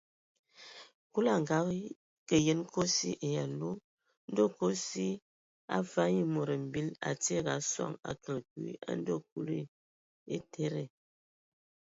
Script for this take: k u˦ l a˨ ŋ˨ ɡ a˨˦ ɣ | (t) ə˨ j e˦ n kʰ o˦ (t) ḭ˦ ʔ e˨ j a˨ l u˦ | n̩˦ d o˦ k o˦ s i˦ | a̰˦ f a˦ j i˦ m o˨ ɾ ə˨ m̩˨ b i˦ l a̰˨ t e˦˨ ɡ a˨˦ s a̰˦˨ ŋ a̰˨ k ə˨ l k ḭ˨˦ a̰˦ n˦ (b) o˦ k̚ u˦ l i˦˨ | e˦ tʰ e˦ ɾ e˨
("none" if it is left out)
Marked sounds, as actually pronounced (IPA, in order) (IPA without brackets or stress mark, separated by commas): k, s, d